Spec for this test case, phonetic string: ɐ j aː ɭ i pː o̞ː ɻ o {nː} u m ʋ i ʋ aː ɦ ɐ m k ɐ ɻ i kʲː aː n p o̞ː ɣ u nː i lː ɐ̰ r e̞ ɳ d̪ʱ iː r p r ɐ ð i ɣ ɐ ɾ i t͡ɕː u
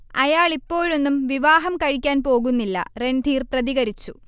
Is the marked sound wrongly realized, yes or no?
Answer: no